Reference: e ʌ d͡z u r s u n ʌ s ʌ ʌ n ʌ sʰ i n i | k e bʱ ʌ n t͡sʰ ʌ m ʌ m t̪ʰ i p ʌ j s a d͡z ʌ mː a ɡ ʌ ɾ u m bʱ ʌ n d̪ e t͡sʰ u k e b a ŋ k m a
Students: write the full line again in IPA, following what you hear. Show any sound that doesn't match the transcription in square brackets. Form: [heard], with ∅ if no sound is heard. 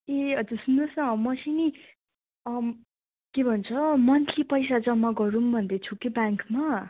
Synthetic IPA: e ʌ d͡z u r s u n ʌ s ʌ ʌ [m] ʌ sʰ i n i | k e bʱ ʌ n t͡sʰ ʌ m ʌ [n] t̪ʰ i p ʌ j s a d͡z ʌ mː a ɡ ʌ ɾ u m bʱ ʌ n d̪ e t͡sʰ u k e b a ŋ k m a